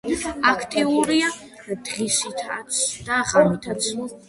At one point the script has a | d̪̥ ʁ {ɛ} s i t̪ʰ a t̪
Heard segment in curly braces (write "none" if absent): i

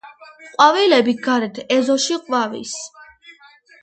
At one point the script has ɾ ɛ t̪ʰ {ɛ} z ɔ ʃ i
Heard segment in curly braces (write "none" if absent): ɛ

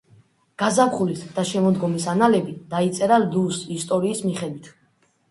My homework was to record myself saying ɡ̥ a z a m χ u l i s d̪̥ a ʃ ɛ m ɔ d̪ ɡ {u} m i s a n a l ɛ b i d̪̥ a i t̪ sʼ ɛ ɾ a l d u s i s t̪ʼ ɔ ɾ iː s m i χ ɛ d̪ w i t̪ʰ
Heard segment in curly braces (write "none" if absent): ɔ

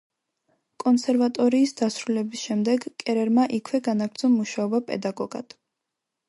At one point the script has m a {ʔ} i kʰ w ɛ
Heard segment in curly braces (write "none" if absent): ʔ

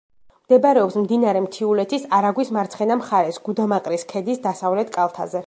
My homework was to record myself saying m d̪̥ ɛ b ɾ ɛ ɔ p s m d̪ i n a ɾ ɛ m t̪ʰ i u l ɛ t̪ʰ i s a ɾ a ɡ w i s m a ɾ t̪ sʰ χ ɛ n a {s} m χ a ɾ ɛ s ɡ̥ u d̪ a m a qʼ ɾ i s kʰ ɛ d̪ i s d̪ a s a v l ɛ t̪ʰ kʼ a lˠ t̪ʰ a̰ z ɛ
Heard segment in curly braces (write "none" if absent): none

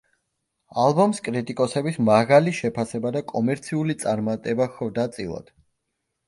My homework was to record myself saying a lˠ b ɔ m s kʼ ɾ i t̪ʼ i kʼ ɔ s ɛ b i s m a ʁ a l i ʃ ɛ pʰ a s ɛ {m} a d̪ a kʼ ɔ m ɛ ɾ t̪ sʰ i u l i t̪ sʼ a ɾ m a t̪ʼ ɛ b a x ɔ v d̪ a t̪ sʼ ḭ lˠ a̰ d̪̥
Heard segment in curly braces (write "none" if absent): b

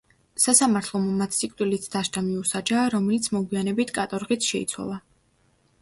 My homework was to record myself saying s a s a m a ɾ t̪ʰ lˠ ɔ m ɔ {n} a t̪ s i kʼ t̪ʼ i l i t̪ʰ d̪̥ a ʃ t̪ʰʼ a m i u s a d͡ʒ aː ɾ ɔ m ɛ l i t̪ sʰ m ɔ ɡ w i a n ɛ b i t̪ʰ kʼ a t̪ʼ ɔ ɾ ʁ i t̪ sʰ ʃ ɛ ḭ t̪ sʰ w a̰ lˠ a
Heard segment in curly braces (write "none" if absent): m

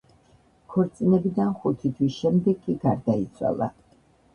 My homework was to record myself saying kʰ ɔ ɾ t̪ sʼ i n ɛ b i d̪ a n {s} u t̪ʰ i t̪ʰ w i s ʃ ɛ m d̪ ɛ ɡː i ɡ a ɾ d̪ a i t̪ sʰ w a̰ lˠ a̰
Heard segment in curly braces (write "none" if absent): χ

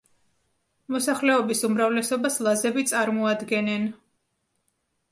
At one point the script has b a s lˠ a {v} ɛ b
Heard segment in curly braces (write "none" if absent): z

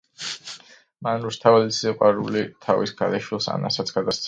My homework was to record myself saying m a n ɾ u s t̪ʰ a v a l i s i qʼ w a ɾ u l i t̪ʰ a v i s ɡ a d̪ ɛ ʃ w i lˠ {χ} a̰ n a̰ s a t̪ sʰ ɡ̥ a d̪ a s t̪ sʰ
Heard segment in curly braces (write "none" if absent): s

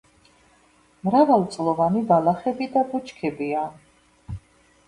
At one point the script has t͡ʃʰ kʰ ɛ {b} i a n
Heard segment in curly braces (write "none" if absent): b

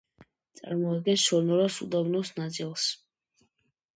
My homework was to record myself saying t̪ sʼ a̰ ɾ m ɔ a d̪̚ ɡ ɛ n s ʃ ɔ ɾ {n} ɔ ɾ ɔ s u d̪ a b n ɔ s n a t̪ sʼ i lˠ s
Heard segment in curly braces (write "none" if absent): n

